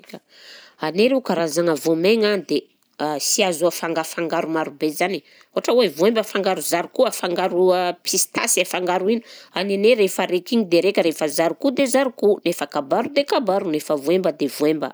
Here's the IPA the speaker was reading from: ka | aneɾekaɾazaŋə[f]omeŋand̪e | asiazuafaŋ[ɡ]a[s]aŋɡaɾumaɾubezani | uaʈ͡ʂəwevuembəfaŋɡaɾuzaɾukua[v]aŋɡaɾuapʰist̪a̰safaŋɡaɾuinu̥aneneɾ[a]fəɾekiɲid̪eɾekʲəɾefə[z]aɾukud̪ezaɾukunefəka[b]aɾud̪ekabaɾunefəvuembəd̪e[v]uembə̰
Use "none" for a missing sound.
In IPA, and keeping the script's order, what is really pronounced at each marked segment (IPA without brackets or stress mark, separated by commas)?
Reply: v, ɡ, f, f, e, z, b, v